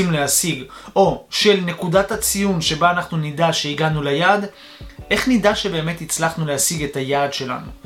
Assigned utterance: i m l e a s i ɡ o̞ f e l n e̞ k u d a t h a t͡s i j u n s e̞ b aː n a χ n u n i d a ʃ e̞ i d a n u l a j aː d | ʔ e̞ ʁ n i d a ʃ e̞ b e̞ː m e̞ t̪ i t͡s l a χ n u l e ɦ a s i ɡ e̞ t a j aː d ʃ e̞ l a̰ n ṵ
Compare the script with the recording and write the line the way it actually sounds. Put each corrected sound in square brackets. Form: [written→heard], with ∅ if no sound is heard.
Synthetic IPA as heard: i m l e a s i ɡ o̞ [f→ʃ] e l n e̞ k u d a t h a t͡s i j u n [s→ʃ] e̞ b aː n a χ n u n i d a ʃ e̞ i [d→ɡ] a n u l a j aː d | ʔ e̞ [ʁ→χ] n i d a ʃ e̞ b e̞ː m e̞ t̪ i t͡s l a χ n u l e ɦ a s i ɡ e̞ t a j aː d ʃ e̞ l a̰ n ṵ